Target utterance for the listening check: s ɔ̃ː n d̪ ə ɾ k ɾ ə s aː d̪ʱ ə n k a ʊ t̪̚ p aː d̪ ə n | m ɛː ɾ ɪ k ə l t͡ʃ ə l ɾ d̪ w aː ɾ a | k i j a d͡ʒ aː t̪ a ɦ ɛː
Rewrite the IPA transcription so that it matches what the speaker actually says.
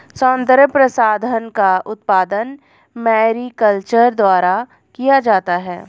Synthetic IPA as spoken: s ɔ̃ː n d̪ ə ɾ p ɾ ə s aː d̪ʱ ə n k a ʊ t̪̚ p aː d̪ ə n | m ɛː ɾ i k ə l t͡ʃ ə ɾ d̪ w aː ɾ a | k i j a d͡ʒ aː t̪ a ɦ ɛː